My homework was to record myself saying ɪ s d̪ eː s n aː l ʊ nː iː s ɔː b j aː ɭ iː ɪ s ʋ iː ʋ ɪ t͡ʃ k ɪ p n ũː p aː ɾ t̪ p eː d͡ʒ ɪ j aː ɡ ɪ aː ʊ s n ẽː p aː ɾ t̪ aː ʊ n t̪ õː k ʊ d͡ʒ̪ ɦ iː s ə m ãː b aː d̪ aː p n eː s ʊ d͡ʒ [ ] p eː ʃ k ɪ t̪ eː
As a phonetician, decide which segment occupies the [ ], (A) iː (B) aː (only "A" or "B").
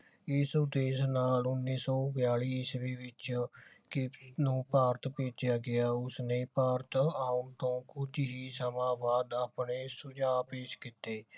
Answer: B